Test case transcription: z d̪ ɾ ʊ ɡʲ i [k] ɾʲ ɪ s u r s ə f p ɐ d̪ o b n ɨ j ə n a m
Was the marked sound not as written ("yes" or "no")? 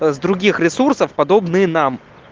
yes